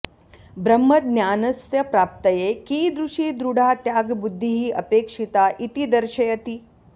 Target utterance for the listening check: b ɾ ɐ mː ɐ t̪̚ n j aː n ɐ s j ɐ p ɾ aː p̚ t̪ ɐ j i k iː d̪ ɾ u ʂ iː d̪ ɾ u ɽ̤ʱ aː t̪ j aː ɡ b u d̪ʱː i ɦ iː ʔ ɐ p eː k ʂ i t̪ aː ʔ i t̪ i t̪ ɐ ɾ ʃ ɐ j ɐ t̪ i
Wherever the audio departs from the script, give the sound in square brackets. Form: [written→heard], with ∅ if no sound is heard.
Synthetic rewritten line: b ɾ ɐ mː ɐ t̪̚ n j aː n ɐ s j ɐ p ɾ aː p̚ t̪ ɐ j [i→e] k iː d̪ ɾ u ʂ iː d̪ ɾ u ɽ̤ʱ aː t̪ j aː ɡ b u d̪ʱː i ɦ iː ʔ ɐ p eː k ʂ i t̪ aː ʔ i t̪ i [t̪→d̪] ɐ ɾ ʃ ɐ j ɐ t̪ i